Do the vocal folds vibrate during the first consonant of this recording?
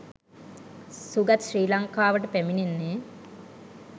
no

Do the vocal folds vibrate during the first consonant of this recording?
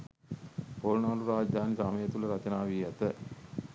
no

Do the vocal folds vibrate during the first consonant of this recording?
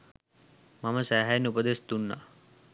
yes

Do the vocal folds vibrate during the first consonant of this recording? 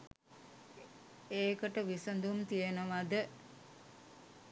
no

